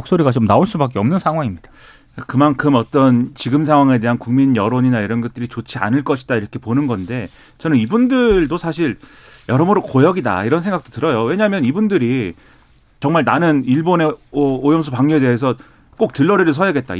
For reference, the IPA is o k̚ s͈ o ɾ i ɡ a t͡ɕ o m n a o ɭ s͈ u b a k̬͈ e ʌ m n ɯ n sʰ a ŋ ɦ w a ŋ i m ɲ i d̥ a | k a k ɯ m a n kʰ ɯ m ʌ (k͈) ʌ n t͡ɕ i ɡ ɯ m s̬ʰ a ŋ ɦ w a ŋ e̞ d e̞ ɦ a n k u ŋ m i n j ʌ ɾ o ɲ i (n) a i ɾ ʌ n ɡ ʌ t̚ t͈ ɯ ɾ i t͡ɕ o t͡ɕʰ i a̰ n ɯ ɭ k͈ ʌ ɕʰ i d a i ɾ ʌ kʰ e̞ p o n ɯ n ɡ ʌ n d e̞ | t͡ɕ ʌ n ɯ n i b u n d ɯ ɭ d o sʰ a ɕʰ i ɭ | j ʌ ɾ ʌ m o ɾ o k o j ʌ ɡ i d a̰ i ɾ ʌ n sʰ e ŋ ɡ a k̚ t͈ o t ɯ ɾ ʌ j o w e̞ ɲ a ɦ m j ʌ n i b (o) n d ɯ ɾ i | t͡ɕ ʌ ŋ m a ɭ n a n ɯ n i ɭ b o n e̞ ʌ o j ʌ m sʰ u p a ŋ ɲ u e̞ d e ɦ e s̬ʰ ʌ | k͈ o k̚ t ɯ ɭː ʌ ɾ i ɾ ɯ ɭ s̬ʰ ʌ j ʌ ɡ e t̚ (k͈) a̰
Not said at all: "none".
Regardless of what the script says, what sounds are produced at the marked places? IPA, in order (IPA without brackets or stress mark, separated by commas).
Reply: t͈, n, u, t͈